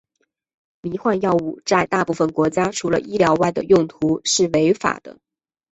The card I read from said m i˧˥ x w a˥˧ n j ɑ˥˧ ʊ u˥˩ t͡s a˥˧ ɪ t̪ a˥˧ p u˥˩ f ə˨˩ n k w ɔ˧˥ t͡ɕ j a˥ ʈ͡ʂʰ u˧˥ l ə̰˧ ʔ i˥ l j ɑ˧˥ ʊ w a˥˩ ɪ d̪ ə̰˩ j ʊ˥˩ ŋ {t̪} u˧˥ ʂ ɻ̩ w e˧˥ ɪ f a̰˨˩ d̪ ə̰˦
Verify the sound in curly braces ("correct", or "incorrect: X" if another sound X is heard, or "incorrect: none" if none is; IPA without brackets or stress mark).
incorrect: t̪ʰ